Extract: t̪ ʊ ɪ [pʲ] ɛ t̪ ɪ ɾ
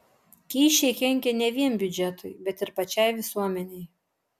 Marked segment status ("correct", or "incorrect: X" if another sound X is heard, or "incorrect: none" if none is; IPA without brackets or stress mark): incorrect: bʲ